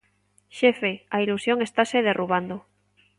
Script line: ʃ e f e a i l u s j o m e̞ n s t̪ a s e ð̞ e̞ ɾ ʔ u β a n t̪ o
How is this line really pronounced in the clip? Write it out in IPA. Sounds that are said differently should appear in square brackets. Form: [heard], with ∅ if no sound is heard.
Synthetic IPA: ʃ e f e a i l u s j o [ŋ] e̞ [∅] s t̪ a s e ð̞ e̞ [r] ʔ u β a n [d̪] o